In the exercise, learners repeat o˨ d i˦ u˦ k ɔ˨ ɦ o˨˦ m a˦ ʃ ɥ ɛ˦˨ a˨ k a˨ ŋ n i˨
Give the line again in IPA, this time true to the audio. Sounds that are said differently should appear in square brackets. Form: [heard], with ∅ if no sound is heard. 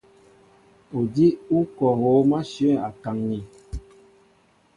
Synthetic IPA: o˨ d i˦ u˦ k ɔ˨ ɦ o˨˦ m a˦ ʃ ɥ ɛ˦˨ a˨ k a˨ ŋ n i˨